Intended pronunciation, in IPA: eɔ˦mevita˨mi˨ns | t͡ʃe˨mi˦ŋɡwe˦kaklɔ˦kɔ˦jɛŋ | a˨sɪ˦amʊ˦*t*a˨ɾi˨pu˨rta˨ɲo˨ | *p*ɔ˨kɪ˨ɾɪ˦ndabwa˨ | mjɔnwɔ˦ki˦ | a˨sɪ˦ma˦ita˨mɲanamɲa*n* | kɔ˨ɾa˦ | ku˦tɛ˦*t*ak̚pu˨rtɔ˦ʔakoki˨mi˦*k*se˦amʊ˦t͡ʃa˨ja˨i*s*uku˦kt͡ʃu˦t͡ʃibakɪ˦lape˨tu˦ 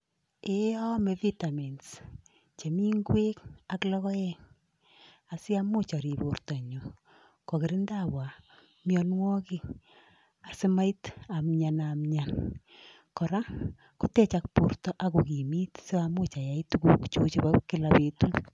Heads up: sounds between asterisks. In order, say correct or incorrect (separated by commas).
incorrect, incorrect, correct, incorrect, incorrect, incorrect